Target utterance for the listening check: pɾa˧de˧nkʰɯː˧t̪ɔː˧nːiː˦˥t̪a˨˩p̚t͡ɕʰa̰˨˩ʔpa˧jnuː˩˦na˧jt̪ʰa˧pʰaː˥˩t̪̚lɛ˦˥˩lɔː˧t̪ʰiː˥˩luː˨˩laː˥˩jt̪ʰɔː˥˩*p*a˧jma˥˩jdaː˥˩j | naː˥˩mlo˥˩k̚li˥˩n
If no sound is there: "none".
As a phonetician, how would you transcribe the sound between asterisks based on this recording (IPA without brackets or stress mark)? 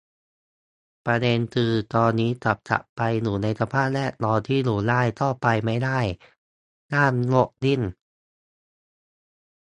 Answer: p